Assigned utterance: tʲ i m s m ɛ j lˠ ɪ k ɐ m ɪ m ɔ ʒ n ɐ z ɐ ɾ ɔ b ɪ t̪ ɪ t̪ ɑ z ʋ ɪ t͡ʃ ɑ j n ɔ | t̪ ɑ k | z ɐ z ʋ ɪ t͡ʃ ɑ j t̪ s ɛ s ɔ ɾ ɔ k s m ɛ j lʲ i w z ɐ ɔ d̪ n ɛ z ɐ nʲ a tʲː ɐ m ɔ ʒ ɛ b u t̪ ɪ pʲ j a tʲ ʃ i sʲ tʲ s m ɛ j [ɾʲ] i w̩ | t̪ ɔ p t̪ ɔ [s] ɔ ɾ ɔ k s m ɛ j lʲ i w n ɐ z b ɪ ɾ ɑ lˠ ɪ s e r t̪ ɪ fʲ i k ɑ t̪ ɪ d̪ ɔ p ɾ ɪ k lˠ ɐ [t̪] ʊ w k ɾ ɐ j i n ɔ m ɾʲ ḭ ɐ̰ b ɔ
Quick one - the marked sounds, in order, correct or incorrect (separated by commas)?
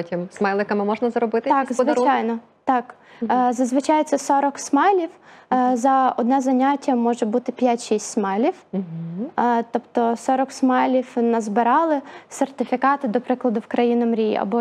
incorrect, correct, incorrect